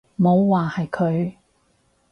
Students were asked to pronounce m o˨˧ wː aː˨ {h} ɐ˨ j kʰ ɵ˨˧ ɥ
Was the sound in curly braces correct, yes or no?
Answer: yes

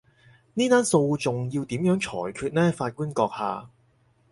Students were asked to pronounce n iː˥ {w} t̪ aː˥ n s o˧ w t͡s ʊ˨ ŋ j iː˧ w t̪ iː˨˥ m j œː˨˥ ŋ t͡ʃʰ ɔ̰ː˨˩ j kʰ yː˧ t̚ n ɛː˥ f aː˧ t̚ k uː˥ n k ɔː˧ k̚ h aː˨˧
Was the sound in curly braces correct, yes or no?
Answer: no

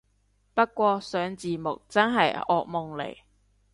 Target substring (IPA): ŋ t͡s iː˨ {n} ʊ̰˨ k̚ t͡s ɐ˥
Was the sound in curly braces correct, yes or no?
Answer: no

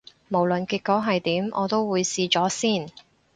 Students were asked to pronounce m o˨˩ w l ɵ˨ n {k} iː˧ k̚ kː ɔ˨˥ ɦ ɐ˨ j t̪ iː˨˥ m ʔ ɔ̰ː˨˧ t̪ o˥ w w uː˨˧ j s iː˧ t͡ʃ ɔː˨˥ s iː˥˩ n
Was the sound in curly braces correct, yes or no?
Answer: yes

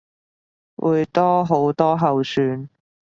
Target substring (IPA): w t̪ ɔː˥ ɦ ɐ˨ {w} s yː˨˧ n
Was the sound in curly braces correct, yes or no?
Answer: yes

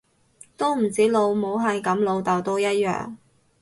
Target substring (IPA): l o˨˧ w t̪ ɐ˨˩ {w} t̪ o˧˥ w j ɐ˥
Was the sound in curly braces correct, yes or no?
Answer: yes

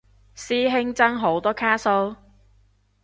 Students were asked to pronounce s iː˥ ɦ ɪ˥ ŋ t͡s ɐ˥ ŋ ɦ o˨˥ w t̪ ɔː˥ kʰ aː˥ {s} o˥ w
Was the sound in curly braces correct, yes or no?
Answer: yes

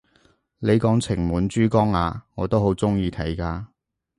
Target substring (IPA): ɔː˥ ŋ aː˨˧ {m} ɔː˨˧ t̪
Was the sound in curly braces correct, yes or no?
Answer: no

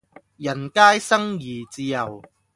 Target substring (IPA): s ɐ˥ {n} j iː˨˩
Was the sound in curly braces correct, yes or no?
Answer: no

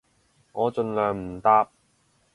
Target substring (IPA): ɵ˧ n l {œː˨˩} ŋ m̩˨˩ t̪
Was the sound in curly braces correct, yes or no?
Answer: yes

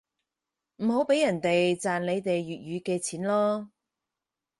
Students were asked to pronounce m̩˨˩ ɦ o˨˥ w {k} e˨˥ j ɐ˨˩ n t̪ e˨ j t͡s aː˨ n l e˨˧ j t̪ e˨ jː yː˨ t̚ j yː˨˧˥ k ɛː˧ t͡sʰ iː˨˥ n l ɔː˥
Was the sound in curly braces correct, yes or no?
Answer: no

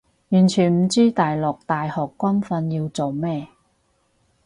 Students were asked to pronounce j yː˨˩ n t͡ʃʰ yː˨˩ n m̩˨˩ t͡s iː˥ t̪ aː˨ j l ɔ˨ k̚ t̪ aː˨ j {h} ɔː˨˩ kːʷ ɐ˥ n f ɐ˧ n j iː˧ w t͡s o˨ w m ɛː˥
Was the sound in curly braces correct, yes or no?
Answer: yes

